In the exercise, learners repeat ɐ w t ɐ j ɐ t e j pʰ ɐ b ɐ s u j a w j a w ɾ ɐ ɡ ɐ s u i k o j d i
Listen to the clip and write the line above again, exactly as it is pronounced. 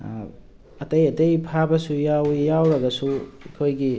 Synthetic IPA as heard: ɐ t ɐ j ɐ t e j pʰ a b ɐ s u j a w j a w ɾ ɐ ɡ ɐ s u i kʰ o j ɡ i